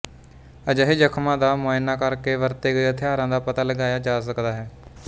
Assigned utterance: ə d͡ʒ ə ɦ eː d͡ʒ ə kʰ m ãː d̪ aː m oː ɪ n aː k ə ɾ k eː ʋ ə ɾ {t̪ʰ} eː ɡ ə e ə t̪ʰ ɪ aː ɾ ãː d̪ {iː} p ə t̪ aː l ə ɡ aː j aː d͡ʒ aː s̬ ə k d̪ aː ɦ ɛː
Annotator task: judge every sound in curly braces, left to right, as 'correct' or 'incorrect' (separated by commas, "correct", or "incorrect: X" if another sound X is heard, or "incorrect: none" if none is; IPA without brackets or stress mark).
incorrect: t̪, incorrect: aː